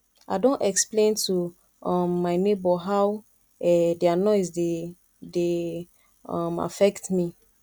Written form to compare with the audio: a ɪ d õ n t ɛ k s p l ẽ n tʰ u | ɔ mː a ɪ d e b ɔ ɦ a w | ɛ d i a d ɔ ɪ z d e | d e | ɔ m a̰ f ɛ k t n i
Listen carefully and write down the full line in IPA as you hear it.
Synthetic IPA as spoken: a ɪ d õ n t ɛ k s p l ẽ n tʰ u | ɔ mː a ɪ n e b ɔ ɦ a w | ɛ d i a n ɔ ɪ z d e | d e | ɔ m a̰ f ɛ k t m i